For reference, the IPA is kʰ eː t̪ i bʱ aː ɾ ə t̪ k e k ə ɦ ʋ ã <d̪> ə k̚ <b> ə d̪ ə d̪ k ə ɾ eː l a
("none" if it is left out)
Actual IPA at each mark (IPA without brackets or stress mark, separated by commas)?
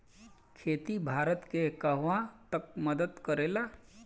t̪, m